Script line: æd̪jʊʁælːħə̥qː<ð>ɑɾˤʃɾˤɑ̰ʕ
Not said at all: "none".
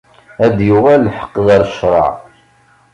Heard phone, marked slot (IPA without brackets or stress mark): ð